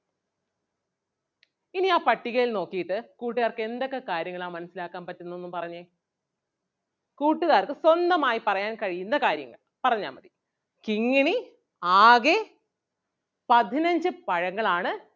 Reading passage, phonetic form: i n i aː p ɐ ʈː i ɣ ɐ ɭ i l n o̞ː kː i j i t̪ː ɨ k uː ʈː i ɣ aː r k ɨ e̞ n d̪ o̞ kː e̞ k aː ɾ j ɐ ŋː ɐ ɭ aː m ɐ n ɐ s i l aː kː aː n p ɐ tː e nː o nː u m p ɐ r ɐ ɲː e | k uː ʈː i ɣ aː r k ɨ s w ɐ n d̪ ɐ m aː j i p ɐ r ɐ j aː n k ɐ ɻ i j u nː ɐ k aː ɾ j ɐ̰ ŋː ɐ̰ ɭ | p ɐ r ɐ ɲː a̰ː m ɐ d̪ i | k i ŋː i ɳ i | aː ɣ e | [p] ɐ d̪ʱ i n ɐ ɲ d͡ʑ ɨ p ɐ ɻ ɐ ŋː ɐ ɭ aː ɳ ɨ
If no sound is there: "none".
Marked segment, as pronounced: p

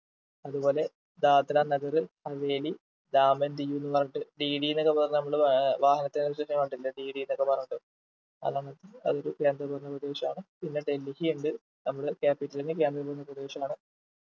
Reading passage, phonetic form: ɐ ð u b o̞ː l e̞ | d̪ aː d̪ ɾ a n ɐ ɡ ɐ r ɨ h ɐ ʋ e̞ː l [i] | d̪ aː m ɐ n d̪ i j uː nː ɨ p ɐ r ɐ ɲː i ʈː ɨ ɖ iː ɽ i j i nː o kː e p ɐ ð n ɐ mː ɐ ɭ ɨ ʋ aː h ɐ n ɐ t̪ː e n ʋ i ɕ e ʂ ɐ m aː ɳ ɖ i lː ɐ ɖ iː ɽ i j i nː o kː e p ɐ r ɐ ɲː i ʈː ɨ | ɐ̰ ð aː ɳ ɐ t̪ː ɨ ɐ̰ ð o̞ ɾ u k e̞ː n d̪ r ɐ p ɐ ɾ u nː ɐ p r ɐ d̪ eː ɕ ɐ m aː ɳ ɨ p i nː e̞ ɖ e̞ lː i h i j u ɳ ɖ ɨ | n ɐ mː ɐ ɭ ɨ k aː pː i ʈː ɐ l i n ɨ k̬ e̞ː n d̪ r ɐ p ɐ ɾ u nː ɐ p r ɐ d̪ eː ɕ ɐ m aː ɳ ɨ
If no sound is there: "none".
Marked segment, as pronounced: i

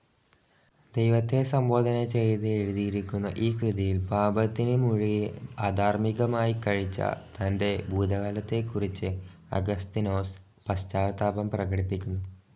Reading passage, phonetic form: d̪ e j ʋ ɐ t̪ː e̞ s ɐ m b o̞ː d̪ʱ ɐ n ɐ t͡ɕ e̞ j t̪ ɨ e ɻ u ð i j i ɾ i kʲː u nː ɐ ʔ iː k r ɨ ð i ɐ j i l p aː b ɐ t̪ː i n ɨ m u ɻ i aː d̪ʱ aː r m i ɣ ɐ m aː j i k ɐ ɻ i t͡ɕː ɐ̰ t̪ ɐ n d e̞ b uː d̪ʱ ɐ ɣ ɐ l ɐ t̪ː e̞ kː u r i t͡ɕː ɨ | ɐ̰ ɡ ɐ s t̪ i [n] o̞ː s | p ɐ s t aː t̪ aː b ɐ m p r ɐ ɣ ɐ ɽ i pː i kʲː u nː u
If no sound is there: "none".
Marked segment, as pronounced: n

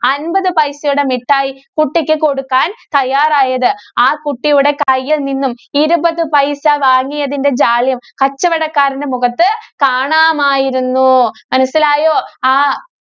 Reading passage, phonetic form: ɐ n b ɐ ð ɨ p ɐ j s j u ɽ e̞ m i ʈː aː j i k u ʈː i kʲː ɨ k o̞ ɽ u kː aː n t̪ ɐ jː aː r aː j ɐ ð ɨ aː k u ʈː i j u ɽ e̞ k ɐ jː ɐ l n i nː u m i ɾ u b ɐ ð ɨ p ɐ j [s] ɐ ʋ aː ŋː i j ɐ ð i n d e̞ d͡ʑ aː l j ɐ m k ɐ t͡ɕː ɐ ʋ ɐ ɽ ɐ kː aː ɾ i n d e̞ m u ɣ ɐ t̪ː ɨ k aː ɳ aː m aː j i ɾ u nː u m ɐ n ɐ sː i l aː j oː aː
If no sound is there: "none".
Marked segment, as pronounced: s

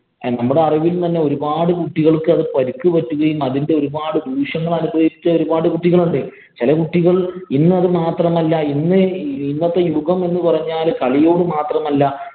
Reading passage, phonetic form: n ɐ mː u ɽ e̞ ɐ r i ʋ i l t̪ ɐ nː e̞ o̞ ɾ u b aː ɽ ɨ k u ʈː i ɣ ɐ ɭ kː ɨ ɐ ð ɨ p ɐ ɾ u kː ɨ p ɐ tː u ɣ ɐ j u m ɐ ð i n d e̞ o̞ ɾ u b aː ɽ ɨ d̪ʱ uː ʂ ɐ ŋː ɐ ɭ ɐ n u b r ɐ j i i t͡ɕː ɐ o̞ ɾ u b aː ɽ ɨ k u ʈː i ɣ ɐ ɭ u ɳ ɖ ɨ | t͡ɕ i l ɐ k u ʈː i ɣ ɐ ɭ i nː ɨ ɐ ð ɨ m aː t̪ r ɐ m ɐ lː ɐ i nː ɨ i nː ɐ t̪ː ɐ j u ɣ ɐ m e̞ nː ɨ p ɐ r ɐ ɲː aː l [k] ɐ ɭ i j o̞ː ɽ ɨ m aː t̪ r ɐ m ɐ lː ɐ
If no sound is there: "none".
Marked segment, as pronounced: k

